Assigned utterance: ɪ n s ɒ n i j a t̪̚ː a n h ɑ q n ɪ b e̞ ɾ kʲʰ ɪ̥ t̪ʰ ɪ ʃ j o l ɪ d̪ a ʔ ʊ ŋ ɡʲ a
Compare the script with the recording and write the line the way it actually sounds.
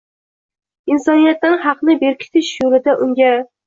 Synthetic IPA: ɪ n s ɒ n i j a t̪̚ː a n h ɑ q n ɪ b e̞ ɾ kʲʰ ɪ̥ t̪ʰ ɪ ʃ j o l ɪ d̪ a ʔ ʊ ŋ ɡʲ a

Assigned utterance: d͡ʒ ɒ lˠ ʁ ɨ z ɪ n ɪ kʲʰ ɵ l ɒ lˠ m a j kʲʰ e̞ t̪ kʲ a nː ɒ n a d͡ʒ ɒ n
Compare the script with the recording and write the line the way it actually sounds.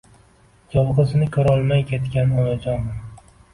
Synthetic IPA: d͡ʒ ɒ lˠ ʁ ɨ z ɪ n ɪ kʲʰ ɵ ɾ ɒ lˠ m a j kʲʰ e̞ t̪ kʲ a n ɒ n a d͡ʒ ɒ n

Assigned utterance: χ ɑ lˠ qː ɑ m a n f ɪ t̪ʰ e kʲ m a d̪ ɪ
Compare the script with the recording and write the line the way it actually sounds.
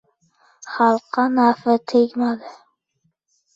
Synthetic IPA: χ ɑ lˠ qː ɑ n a f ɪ t̪ʰ e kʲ m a d̪ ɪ

